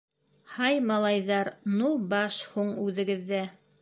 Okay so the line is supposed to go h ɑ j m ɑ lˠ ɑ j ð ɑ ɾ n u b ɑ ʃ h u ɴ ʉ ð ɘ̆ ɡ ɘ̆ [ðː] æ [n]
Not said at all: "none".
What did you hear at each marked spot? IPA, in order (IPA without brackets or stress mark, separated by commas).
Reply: ðː, none